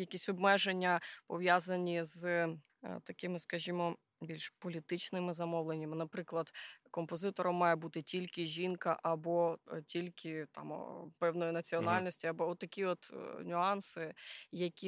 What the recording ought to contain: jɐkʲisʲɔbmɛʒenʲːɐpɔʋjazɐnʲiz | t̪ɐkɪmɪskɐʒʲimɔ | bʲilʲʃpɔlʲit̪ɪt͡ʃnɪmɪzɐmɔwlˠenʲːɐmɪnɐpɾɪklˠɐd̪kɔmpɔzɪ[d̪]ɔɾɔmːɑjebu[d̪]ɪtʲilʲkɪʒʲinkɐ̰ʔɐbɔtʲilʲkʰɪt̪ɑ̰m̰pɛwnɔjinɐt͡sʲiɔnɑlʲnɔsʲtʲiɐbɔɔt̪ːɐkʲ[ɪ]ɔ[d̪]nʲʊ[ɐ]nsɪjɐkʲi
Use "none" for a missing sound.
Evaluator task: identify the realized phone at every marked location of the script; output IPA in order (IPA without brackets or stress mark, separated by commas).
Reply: t̪, t̪, i, t̪, ɑ